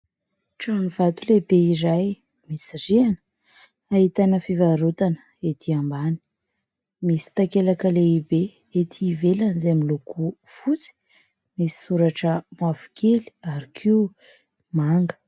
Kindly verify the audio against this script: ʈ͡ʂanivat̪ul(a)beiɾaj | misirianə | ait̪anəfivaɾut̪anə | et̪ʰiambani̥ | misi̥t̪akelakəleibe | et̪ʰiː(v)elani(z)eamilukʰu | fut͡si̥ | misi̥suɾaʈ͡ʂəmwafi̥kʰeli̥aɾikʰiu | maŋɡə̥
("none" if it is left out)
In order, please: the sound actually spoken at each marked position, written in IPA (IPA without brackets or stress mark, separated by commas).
e, v, z